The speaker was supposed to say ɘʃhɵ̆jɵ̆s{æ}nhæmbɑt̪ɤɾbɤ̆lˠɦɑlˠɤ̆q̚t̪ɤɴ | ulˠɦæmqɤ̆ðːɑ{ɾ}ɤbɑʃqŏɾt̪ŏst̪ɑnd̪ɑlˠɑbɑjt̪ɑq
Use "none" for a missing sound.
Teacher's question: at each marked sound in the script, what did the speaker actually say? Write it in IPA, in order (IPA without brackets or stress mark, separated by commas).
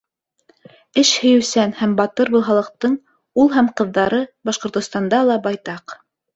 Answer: æ, ɾ